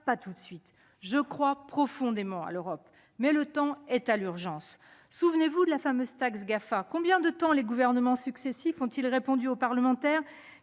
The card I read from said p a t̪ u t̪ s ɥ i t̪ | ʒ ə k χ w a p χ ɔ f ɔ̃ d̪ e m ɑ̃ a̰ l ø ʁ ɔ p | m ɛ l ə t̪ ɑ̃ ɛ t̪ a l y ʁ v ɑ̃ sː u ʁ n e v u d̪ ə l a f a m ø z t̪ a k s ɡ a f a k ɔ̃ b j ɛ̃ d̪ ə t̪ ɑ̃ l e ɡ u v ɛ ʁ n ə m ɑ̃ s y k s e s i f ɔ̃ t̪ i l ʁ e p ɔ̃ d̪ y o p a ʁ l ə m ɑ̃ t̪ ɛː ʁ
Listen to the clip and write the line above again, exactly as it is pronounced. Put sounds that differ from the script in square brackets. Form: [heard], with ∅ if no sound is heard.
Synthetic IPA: p a t̪ u t̪ s ɥ i t̪ | ʒ ə k χ w a p χ ɔ f ɔ̃ d̪ e m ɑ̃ a̰ l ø ʁ ɔ p | m ɛ l ə t̪ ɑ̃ ɛ t̪ a l y ʁ [ʒ] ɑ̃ sː u [v] n e v u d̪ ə l a f a m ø z t̪ a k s ɡ a f a k ɔ̃ b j ɛ̃ d̪ ə t̪ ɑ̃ l e ɡ u v ɛ ʁ n ə m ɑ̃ s y k s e s i f ɔ̃ t̪ i l ʁ e p ɔ̃ d̪ y o p a ʁ l ə m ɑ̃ t̪ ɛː ʁ